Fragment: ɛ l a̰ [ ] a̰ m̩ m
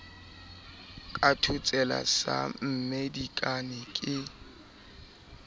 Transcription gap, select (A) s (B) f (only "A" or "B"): A